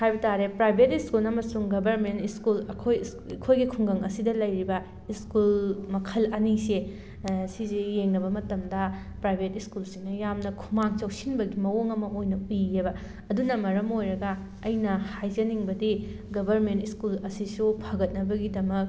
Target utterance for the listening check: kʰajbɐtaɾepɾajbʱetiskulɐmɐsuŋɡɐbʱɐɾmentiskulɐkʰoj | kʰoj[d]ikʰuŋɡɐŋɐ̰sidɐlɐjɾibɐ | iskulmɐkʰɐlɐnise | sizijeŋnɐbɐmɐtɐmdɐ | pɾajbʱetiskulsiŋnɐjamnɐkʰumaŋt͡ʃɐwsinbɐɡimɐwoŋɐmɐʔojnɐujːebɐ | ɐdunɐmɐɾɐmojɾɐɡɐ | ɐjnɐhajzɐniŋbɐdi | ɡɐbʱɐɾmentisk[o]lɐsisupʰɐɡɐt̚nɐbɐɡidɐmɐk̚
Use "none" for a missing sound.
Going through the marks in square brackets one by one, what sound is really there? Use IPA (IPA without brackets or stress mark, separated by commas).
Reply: ɡ, u